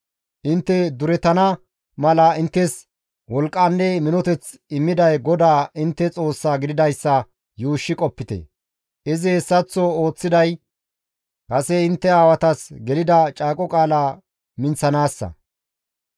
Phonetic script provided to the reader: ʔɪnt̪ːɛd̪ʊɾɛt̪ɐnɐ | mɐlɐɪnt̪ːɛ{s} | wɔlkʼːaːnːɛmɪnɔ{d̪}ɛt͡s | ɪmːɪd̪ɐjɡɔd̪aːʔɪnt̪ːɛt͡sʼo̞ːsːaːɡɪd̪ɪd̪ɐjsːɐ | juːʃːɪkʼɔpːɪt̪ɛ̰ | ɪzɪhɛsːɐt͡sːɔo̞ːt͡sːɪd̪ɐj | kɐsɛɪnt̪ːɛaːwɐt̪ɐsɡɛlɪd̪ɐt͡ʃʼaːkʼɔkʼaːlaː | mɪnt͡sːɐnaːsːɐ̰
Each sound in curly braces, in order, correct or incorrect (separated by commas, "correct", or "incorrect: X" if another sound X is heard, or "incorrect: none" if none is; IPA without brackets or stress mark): correct, incorrect: t̪